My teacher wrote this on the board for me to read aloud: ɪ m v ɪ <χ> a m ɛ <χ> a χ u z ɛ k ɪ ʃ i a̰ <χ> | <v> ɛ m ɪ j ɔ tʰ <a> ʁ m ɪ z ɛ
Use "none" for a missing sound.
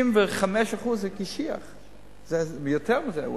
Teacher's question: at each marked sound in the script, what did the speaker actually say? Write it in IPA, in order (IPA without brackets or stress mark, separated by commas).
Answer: χ, ʃ, χ, z, ɛ